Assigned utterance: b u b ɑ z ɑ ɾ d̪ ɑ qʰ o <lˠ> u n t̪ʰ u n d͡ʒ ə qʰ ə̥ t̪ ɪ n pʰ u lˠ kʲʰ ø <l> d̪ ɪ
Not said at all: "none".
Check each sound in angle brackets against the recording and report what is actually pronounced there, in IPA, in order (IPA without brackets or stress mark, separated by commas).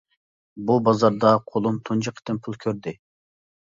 lˠ, ɾ